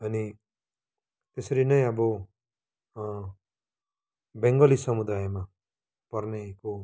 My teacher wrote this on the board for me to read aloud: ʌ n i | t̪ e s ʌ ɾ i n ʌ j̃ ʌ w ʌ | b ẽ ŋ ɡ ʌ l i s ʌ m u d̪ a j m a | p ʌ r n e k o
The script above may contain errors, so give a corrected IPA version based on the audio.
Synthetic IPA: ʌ n i | t̪ e s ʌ ɾ i n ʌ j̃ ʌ b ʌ | b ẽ ŋ ɡ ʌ l i s ʌ m u d̪ a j m a | p ʌ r n e k o